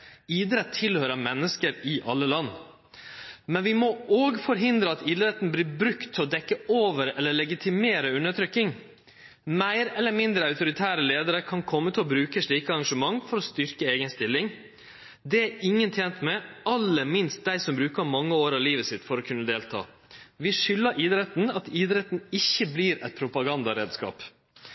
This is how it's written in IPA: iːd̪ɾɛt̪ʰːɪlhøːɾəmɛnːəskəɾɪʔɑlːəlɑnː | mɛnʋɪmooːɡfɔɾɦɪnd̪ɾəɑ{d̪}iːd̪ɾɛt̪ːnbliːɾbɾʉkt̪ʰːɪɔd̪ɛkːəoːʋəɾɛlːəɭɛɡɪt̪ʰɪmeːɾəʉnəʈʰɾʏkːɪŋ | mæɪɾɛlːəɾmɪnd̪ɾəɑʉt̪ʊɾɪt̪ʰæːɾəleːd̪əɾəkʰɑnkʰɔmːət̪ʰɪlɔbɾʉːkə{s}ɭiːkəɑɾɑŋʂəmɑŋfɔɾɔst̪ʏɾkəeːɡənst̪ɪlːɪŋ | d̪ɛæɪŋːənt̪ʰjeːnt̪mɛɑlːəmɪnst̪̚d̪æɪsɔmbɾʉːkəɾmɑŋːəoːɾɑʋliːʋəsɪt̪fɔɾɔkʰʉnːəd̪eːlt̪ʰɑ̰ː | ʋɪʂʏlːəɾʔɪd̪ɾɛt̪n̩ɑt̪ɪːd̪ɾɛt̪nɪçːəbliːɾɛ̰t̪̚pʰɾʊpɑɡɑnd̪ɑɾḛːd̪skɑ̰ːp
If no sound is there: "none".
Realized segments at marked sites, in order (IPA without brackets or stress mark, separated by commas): t̪, ʂ